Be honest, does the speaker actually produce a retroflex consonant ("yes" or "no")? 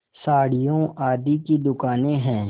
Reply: yes